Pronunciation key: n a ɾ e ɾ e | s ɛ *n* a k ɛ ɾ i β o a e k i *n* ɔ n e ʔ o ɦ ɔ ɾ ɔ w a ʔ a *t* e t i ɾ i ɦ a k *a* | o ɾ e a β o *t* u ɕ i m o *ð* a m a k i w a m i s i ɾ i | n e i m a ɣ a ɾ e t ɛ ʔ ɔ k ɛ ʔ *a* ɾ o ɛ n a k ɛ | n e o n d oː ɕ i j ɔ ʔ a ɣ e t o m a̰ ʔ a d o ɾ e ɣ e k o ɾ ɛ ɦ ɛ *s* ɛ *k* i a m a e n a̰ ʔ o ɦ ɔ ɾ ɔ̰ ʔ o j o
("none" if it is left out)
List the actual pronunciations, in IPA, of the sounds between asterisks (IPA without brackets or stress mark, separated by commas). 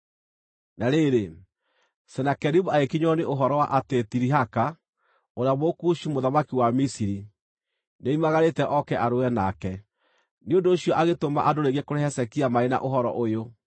n, ɲ, t, a, k, ð, a, s, k